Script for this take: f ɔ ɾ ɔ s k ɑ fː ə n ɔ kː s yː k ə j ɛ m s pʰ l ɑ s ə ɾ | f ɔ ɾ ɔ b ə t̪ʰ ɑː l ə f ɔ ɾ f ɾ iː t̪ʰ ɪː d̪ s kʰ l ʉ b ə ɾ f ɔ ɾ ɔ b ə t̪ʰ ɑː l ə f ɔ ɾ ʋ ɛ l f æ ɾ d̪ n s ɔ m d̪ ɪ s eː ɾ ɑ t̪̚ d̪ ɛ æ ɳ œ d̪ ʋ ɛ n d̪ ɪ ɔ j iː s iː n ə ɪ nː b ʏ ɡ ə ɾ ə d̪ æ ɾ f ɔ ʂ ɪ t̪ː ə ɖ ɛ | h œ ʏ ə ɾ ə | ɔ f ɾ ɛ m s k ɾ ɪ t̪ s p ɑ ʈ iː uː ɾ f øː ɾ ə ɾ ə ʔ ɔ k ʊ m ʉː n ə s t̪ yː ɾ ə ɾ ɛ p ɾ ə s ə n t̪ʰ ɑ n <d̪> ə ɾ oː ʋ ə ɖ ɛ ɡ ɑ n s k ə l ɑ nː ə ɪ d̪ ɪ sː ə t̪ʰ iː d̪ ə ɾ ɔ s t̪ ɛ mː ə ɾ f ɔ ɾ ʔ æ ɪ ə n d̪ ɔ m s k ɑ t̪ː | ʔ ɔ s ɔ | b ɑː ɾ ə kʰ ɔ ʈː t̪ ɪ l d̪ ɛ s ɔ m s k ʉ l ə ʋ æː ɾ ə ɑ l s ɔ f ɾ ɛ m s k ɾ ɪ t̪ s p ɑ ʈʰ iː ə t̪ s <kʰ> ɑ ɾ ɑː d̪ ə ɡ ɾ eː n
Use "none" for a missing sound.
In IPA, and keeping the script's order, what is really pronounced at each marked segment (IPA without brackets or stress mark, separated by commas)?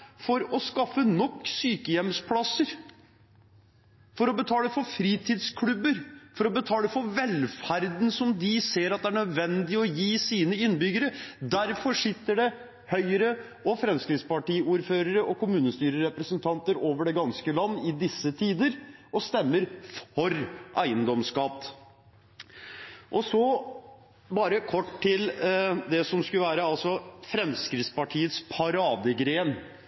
t̪, pʰ